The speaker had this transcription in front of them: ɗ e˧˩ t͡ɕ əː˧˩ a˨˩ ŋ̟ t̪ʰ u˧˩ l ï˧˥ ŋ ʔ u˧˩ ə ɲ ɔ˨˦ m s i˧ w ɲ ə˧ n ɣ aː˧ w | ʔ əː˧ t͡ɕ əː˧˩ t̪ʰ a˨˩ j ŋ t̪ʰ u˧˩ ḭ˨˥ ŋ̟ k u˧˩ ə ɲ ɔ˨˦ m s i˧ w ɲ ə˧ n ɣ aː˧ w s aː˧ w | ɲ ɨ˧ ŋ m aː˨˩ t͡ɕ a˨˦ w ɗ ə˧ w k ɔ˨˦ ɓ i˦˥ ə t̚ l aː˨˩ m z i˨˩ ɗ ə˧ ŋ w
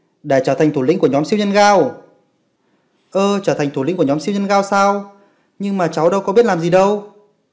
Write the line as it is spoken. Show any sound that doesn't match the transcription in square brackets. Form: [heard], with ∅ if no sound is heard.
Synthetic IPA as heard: ɗ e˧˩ t͡ɕ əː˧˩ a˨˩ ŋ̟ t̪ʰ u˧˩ l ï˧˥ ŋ [k] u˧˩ ə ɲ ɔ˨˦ m s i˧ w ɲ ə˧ n ɣ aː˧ w | ʔ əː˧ t͡ɕ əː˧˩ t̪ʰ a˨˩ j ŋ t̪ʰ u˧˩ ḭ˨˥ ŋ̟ k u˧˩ ə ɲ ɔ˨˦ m s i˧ w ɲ ə˧ n ɣ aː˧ w s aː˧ w | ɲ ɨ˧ ŋ m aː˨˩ t͡ɕ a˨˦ w ɗ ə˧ w k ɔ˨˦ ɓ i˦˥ ə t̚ l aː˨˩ m z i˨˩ ɗ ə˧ [∅] w

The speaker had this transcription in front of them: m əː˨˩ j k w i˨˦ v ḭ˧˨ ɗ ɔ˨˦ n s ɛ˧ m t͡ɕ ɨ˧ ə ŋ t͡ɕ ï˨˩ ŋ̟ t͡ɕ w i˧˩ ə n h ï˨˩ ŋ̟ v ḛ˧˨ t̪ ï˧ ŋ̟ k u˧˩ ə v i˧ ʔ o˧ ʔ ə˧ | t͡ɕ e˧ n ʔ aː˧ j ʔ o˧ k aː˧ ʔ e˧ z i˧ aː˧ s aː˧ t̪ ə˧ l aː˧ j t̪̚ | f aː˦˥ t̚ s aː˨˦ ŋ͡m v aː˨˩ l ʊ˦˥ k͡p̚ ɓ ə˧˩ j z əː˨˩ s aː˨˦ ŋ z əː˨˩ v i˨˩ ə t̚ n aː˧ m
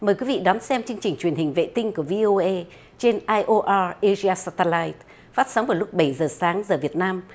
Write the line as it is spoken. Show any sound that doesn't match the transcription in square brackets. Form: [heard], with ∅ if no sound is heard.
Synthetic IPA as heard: m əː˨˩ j k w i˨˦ v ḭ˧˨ ɗ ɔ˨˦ n s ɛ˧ m t͡ɕ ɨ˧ ə ŋ t͡ɕ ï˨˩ ŋ̟ t͡ɕ w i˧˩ ə n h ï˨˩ ŋ̟ v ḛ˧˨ t̪ ï˧ ŋ̟ k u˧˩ ə v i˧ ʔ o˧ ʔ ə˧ | t͡ɕ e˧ n ʔ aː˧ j ʔ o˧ [ʔ] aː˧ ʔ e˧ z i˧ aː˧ s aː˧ t̪ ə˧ l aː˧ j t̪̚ | f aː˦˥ t̚ s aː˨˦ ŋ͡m v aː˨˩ l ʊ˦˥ k͡p̚ ɓ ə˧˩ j z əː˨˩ s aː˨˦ ŋ z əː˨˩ v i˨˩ ə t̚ n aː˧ m

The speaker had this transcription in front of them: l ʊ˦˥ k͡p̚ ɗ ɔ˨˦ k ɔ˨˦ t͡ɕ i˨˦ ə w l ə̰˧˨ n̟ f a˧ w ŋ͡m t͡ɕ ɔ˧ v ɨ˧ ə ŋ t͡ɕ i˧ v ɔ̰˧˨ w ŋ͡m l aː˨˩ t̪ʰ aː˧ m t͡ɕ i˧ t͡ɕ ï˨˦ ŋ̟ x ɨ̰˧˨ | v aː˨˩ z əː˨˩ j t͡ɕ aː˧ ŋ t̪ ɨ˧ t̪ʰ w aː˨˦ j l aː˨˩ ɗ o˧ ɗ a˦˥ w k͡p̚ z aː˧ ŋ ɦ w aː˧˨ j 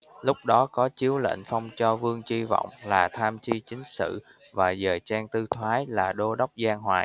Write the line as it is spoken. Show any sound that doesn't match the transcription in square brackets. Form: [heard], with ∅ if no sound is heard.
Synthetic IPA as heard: l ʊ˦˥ k͡p̚ ɗ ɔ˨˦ k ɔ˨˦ t͡ɕ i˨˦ ə w l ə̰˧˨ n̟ f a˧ w ŋ͡m t͡ɕ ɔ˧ v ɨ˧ ə ŋ t͡ɕ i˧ v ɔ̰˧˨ w ŋ͡m l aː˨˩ t̪ʰ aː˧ m t͡ɕ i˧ t͡ɕ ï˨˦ ŋ̟ [s] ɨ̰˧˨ | v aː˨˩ z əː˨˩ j t͡ɕ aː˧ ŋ t̪ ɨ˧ t̪ʰ w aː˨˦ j l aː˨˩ ɗ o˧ ɗ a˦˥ w k͡p̚ z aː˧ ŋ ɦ w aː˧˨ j

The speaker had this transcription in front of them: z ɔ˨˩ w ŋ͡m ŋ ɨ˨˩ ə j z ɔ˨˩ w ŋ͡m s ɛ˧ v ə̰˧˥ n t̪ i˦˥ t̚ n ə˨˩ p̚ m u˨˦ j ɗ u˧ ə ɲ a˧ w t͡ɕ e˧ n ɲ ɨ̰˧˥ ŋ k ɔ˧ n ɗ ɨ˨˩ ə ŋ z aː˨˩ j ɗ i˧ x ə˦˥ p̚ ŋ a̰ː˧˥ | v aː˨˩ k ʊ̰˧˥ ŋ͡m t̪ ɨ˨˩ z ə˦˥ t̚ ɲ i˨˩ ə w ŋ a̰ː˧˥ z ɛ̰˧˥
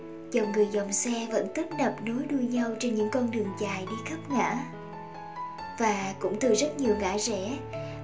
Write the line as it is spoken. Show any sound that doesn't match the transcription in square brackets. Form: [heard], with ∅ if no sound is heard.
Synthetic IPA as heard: z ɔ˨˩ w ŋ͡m ŋ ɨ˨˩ ə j z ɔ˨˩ w ŋ͡m s ɛ˧ v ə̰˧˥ n t̪ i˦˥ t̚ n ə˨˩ p̚ [n] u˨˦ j ɗ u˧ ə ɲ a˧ w t͡ɕ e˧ n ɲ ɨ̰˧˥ ŋ k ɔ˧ n ɗ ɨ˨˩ ə ŋ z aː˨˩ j ɗ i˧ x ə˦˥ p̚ ŋ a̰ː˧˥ | v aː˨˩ k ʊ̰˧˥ ŋ͡m t̪ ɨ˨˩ z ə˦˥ t̚ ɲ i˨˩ ə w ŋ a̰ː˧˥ z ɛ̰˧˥

